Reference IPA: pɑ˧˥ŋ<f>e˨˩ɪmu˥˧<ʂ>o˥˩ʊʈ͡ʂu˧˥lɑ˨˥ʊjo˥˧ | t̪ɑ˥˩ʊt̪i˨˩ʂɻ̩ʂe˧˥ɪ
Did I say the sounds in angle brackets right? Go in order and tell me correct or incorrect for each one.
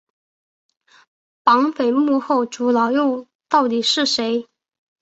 correct, incorrect: x

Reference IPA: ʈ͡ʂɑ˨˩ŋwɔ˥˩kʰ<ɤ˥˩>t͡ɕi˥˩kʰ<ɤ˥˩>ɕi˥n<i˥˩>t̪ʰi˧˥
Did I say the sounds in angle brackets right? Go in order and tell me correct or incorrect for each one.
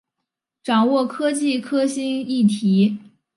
incorrect: ɤ˥, incorrect: ɤ˥, correct

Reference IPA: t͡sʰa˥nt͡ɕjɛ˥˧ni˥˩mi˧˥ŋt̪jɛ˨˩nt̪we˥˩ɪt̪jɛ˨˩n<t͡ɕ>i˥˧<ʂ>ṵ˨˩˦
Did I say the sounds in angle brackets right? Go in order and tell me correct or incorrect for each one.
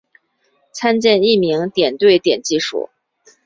correct, correct

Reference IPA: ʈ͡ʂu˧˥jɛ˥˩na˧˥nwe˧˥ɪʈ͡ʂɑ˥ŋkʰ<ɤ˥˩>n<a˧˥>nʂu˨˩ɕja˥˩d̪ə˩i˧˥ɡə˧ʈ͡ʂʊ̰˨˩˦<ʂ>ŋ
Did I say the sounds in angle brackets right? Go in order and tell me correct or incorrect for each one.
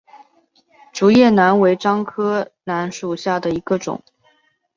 incorrect: ɤ˥, correct, incorrect: none

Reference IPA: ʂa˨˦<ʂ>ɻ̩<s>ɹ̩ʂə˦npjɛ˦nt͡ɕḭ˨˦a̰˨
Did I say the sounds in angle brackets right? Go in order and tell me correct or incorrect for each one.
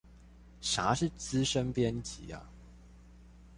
correct, incorrect: t͡s

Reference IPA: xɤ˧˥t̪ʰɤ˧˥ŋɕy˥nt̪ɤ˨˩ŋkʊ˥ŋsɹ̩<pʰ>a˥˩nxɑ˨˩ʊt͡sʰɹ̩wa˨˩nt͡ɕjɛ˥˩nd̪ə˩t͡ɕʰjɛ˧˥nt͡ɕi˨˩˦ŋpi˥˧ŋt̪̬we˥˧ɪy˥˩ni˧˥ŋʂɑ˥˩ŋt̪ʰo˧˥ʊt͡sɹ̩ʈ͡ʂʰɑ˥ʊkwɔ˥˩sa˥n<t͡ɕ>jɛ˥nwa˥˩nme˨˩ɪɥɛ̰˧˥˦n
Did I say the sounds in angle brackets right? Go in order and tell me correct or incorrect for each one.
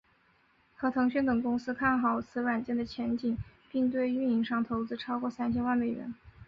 incorrect: kʰ, incorrect: t͡ɕʰ

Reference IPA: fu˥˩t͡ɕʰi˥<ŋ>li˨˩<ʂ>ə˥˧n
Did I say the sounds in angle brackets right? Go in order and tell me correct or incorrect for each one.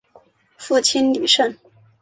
incorrect: n, correct

